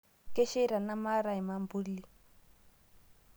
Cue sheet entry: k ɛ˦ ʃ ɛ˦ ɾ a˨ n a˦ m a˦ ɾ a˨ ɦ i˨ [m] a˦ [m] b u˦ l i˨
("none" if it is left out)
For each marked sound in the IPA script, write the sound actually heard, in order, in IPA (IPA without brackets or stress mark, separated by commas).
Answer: m, m